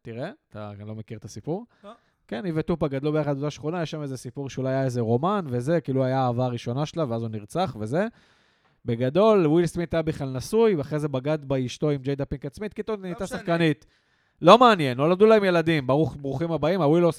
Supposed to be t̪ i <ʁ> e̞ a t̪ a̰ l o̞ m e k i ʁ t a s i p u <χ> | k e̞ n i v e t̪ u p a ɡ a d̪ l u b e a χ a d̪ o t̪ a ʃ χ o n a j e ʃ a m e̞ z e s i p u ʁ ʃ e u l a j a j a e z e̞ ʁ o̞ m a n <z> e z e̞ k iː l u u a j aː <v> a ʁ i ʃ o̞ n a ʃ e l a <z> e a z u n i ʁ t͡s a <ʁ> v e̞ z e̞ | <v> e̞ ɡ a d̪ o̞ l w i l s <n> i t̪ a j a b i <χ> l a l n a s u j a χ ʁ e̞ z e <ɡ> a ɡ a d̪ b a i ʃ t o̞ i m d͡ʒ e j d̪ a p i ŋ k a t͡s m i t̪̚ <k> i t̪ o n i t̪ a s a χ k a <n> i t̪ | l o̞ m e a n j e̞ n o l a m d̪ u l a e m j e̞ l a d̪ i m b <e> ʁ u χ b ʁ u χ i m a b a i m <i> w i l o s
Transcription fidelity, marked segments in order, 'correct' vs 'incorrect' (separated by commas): correct, incorrect, incorrect, correct, incorrect, incorrect, incorrect, incorrect, correct, incorrect, correct, correct, incorrect, incorrect